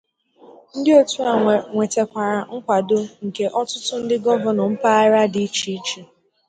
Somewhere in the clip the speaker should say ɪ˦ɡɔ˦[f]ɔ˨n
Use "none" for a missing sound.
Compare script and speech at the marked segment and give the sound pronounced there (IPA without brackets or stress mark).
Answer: v